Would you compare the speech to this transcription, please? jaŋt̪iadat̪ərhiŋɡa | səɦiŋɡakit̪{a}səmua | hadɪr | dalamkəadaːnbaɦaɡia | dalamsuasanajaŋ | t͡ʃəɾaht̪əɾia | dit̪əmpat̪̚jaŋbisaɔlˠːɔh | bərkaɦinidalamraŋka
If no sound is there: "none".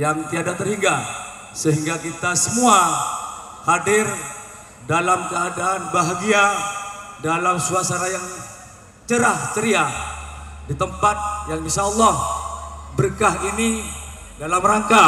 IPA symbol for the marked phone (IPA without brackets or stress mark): a